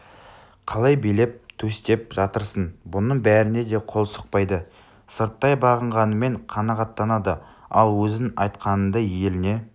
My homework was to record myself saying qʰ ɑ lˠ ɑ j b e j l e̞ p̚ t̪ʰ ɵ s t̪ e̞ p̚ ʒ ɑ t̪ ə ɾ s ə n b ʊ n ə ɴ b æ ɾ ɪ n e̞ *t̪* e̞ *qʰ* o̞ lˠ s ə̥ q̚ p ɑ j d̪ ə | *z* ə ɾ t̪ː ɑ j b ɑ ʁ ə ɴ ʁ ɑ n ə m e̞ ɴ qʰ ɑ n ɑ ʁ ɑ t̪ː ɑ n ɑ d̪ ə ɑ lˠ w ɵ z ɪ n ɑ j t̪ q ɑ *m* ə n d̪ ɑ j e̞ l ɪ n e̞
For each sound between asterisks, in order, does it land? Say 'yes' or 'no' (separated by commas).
no, yes, no, no